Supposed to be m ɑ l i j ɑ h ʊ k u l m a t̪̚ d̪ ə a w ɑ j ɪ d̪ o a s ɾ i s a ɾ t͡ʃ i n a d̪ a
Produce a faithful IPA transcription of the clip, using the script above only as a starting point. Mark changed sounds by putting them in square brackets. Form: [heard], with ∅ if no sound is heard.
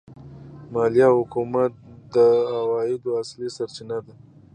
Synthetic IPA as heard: m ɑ l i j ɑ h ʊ k u [∅] m a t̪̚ d̪ ə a w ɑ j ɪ d̪ o a s [l] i s a ɾ t͡ʃ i n a d̪ a

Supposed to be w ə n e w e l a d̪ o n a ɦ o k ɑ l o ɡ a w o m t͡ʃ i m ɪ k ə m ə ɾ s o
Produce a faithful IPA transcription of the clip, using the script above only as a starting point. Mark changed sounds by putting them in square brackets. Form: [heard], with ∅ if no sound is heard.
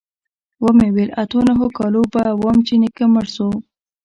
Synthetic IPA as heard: w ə [m] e w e l a [t̪] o n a ɦ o k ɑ l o [b] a w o m t͡ʃ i [n] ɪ k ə m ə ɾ s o

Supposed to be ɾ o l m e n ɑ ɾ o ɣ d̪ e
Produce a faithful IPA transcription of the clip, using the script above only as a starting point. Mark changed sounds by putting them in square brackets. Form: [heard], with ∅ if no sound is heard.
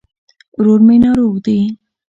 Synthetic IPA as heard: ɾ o [ɾ] m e n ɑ ɾ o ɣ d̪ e

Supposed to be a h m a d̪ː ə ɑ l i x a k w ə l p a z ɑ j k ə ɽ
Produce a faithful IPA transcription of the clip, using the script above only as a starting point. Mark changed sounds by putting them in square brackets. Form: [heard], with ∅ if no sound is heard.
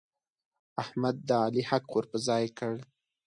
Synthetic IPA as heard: a h m a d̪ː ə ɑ l i [h] a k w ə [ɾ] p [ə] z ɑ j k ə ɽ

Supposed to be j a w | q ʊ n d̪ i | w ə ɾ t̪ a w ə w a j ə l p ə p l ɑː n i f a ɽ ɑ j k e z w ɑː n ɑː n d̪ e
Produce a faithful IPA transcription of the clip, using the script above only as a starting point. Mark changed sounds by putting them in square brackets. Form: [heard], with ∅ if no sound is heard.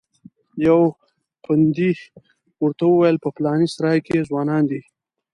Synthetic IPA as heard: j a w | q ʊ n d̪ i | w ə ɾ t̪ a w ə w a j ə l p ə p l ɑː n i [s] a [ɾ] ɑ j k e z w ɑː n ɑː n d̪ [i]

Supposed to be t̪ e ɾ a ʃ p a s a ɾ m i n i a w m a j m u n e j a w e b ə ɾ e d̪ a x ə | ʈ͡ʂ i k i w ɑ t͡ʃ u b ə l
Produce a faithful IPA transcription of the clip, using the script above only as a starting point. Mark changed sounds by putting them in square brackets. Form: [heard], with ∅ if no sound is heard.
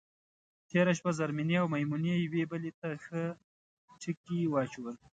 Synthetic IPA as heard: t̪ e ɾ a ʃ p a [z] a ɾ m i n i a w m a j m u n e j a w e b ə [l] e [t̪] a x ə | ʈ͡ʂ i k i w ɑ t͡ʃ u [w] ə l

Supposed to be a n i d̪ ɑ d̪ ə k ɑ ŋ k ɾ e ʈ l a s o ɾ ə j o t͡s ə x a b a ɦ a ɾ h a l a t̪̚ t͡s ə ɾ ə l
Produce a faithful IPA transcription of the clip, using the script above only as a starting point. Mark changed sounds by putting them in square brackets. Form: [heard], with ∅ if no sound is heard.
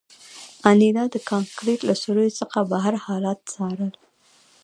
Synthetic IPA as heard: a n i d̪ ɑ d̪ ə k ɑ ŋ k ɾ e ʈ l a s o ɾ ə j o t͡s ə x a b a ɦ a ɾ h [ɑ] l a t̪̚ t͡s [ɑ] ɾ ə l

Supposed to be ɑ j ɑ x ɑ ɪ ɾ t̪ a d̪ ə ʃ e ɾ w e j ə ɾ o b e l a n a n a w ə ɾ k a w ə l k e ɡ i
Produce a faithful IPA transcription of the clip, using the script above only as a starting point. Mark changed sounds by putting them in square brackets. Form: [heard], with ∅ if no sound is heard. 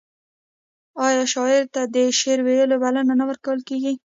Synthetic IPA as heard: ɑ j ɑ [ʃ] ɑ ɪ ɾ t̪ a d̪ ə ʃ e ɾ w e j ə [l] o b [a] l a n a n a w ə ɾ k a w ə l k e ɡ i

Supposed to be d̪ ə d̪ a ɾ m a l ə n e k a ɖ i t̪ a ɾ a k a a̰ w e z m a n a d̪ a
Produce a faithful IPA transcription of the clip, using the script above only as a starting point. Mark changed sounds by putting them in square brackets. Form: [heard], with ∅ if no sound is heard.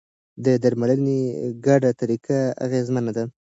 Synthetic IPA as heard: d̪ ə d̪ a ɾ m a l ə n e [ɡ] a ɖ [a] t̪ a ɾ [i] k a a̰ [ɣ] e z m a n a d̪ a

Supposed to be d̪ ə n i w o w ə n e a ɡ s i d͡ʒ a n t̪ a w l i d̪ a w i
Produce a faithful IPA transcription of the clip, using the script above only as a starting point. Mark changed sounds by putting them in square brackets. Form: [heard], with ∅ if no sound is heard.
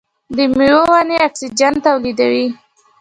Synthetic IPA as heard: d̪ ə [m] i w o w [a] n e a [k] s i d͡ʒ a n t̪ a w l i d̪ a w i

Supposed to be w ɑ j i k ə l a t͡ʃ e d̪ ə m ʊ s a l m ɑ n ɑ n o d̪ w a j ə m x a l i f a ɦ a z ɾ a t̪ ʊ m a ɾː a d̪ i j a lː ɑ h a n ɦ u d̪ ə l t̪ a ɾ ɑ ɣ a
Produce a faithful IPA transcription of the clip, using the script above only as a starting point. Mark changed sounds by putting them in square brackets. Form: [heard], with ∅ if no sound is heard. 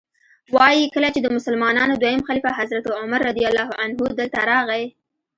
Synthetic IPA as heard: w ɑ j i k ə l a t͡ʃ e d̪ ə m ʊ s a l m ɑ n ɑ n o d̪ w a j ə m x a l i f a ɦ a z ɾ a t̪ ʊ m a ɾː a d̪ i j a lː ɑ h a n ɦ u d̪ ə l t̪ a ɾ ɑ ɣ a

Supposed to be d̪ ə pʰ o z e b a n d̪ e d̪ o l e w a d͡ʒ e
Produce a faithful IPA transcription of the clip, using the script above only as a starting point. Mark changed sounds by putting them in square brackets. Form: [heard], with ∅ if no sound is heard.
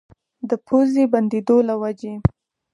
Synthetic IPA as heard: d̪ ə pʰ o z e b a n d̪ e d̪ o l [a] w a d͡ʒ e

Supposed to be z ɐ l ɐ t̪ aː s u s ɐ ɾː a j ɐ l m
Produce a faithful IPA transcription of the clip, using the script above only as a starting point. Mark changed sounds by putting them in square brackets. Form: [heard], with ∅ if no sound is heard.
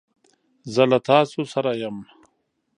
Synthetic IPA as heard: z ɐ l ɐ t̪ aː s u s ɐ [ɾ] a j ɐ [∅] m

